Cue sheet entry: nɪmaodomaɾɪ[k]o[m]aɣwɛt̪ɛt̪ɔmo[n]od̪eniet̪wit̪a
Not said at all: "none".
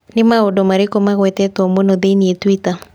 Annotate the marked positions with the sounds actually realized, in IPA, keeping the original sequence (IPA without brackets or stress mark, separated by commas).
k, m, n